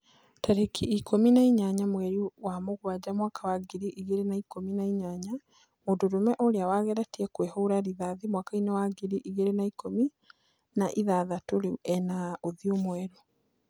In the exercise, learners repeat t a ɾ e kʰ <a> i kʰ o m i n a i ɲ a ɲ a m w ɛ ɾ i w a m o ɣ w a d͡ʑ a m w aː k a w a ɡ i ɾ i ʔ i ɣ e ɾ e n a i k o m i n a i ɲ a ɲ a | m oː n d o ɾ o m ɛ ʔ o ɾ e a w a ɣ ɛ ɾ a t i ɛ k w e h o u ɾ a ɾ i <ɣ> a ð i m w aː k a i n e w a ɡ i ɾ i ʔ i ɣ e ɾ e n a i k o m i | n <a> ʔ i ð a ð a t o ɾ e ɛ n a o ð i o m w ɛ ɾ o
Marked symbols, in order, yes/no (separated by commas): no, no, yes